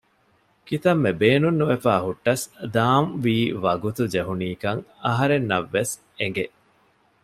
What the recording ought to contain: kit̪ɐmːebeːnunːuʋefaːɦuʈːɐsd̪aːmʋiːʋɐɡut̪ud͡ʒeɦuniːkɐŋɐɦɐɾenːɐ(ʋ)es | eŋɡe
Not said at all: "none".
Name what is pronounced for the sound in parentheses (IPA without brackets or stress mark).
ʋː